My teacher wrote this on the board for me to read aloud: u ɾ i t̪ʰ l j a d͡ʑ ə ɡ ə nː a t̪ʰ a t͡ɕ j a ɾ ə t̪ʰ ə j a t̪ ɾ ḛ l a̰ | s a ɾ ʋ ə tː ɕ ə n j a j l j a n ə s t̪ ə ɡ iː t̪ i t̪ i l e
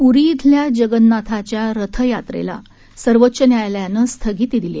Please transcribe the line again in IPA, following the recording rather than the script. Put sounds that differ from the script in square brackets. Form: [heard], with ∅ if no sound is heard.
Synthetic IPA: u ɾ i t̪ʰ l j a d͡ʑ ə ɡ ə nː a t̪ʰ a t͡ɕ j a ɾ ə t̪ʰ ə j a t̪ ɾ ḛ l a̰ | s [ə] ɾ ʋ ə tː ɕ ə n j a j l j a n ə s [t̪ʰ] ə ɡ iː t̪ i [d̪] i l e